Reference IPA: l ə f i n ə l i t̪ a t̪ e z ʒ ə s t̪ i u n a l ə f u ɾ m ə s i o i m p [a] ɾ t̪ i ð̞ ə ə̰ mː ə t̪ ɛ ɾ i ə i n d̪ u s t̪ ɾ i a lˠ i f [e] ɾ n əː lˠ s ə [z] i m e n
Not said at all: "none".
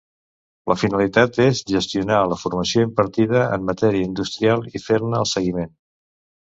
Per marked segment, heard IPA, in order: ə, e, ɣ

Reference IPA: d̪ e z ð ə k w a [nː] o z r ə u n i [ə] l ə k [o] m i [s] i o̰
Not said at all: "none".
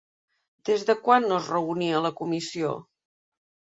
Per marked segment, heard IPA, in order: nː, ə, u, s

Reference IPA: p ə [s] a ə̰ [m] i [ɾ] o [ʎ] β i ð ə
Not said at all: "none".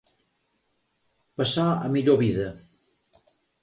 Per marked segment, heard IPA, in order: s, m, ʎ, none

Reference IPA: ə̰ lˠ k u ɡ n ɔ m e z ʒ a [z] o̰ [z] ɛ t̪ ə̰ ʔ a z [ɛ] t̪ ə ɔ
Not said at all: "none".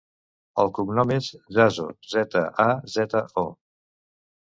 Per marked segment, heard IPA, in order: z, z, ɛ

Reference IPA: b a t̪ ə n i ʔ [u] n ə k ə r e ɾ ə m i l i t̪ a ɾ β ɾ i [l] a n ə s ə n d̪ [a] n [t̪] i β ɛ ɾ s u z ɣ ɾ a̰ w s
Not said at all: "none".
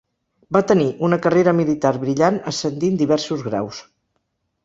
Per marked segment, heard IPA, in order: u, ʎ, i, d̪

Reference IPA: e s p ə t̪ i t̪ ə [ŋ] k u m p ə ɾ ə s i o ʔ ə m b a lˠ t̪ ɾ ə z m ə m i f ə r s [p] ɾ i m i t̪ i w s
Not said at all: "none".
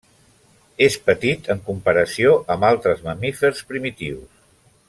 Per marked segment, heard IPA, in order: ŋ, p

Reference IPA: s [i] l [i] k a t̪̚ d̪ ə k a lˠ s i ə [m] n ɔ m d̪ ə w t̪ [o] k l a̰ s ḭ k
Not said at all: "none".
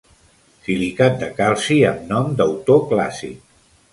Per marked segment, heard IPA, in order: i, i, m, o

